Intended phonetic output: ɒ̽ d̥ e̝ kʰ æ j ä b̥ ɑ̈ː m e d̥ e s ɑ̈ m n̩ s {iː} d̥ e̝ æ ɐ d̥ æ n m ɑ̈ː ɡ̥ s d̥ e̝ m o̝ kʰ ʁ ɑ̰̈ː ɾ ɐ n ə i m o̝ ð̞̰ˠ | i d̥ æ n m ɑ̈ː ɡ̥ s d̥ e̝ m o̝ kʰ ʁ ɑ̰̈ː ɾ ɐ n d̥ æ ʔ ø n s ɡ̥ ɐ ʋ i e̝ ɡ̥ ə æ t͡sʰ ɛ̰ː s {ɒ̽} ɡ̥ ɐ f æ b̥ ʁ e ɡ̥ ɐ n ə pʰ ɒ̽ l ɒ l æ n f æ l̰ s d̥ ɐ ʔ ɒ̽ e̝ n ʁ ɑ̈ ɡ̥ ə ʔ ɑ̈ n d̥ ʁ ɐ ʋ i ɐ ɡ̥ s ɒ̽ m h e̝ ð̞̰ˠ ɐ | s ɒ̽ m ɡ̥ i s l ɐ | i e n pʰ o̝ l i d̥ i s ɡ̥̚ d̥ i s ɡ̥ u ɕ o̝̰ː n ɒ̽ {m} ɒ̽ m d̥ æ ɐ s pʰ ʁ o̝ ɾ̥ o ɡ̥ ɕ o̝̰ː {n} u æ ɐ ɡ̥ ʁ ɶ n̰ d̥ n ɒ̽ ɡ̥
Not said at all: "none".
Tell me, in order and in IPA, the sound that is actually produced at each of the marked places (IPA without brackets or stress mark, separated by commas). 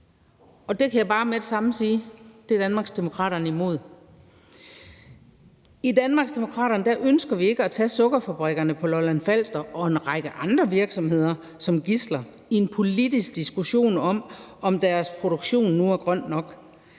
iː, ɔ̽, m, nː